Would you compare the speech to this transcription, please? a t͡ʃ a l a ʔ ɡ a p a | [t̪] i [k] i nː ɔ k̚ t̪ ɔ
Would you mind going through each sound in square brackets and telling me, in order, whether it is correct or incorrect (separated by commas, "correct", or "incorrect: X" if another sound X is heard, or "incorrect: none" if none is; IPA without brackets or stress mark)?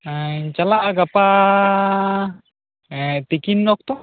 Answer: correct, correct